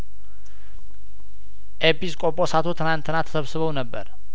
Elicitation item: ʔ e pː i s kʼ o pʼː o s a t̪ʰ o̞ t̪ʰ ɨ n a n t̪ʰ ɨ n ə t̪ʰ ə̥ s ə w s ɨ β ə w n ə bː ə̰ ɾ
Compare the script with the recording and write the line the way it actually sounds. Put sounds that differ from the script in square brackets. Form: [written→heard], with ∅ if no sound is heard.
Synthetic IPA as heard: ʔ e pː i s kʼ o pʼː o s a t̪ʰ o̞ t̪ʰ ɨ n a n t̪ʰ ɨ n [ə→a] t̪ʰ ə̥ s ə [w→β] s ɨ β ə w n ə bː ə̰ ɾ